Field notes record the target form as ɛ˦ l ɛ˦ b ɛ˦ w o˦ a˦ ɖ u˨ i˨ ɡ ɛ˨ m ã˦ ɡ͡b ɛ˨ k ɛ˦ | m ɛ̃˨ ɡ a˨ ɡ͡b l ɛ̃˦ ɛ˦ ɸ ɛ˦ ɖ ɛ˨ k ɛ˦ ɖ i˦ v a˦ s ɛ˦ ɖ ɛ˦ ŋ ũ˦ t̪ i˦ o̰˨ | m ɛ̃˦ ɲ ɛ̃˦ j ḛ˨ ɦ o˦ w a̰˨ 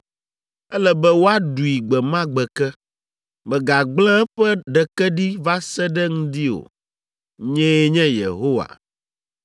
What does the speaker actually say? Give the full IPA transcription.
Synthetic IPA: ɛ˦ l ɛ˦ b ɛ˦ w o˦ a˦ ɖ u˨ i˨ ɡ͡b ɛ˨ m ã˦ ɡ͡b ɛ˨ k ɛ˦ | m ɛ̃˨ ɡ a˨ ɡ͡b l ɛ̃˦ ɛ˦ ɸ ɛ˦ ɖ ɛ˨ k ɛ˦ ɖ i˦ v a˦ s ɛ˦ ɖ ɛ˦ ŋ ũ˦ d̪ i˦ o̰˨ | ɲ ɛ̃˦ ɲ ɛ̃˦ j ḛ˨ ɦ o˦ w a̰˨